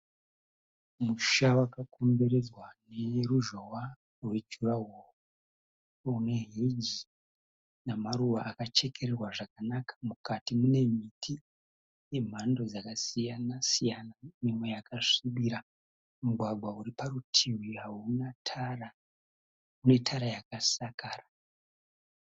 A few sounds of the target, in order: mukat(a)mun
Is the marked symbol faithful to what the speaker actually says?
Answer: no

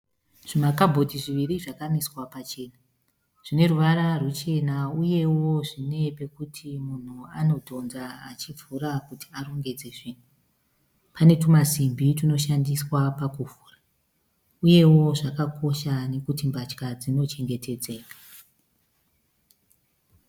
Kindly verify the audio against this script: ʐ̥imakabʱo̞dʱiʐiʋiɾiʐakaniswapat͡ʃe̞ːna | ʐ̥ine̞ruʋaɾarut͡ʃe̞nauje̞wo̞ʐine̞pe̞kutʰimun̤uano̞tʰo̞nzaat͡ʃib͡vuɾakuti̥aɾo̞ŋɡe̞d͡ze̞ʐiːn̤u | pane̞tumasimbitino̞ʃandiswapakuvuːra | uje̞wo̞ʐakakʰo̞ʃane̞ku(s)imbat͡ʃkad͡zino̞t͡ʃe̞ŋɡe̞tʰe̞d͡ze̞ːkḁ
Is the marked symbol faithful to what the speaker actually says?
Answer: no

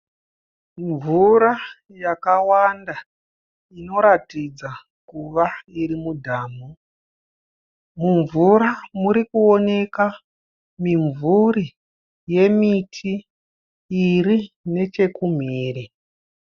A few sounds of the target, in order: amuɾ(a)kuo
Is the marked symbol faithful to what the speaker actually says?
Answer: no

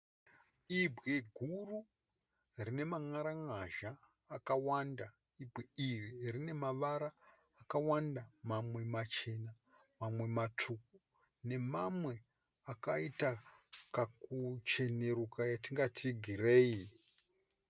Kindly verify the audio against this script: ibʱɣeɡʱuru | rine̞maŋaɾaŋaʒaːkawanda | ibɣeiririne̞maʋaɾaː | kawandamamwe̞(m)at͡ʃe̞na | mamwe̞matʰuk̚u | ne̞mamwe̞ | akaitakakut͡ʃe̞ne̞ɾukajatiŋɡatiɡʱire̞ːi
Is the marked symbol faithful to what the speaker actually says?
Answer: yes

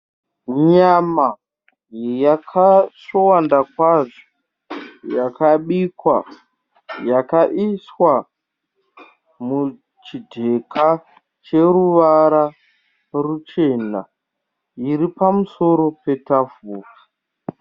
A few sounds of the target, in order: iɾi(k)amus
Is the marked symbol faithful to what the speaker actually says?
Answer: no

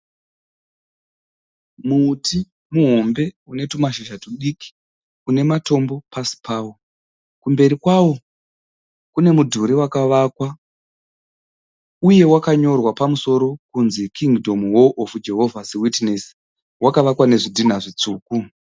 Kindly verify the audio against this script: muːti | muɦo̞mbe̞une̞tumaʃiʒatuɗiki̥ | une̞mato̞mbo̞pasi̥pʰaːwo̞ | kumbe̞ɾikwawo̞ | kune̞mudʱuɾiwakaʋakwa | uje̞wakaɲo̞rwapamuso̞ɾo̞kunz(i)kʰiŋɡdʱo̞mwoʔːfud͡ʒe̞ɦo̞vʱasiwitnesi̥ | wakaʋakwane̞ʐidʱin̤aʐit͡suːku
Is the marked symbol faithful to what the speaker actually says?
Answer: yes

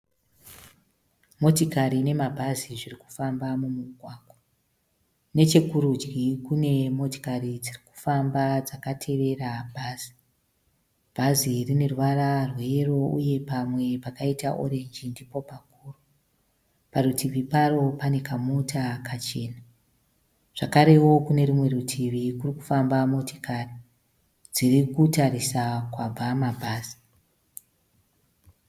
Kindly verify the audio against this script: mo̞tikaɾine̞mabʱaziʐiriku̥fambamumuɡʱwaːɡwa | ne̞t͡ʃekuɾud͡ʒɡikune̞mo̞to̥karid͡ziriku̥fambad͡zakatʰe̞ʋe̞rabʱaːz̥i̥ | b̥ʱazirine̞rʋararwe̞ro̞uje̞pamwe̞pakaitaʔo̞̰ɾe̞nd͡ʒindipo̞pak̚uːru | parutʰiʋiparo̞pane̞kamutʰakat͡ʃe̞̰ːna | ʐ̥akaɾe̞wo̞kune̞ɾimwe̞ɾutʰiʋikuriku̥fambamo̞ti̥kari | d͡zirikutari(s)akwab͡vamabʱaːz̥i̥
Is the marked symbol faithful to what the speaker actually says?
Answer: yes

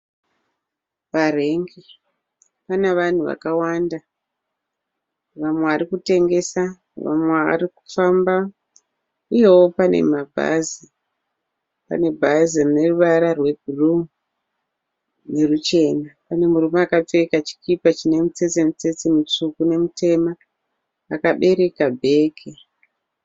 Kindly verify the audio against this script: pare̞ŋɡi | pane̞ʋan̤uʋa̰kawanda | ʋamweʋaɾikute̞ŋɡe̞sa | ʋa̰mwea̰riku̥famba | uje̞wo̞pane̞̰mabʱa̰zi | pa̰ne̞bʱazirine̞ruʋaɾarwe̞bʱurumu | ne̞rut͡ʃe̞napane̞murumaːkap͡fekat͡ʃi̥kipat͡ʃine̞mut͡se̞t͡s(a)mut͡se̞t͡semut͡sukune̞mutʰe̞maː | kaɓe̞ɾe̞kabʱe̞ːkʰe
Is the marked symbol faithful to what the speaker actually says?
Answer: no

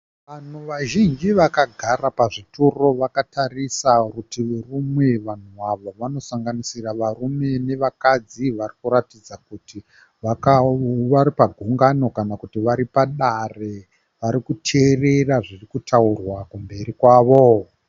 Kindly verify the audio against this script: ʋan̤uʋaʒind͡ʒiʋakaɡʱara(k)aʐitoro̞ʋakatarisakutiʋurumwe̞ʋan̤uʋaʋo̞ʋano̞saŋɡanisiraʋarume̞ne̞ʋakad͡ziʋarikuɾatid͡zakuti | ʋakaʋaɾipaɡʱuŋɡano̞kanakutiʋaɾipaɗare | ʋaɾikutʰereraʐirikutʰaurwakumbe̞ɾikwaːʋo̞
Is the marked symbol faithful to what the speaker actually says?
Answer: no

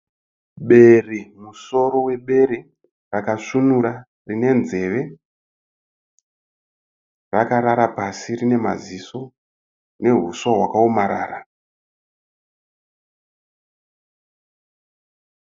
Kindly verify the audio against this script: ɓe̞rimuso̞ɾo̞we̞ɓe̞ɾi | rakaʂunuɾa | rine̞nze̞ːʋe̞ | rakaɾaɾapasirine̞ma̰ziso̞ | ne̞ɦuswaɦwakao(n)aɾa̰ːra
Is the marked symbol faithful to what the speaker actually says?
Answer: no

